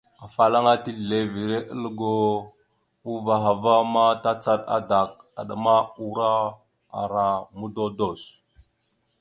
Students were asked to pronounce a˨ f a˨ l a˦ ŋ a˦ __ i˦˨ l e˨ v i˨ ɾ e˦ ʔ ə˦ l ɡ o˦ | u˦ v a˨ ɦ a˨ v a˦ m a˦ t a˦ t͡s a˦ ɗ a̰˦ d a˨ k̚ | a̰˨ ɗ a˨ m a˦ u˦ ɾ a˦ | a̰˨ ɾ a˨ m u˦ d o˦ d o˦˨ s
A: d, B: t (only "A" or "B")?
B